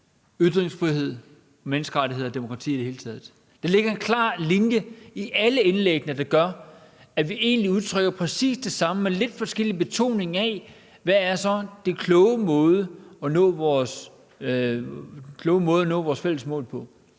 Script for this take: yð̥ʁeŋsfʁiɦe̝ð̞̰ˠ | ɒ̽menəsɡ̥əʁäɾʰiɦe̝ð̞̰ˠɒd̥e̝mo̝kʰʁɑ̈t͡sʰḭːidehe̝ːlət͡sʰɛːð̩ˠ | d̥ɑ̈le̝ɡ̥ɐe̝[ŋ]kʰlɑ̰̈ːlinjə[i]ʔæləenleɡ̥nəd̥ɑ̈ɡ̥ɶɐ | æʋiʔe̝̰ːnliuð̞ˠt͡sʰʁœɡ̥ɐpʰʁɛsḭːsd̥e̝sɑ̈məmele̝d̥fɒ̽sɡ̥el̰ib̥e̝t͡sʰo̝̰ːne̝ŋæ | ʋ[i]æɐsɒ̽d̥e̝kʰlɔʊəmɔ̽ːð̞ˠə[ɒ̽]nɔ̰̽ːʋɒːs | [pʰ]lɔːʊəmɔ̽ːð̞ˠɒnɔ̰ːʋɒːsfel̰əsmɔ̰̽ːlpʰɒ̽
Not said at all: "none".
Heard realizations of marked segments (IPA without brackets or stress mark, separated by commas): n, i, æ, ɒ̽, kʰ